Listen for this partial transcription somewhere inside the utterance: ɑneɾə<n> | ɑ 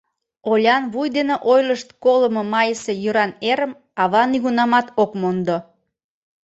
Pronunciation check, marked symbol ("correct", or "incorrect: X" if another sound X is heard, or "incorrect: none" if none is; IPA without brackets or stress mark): incorrect: m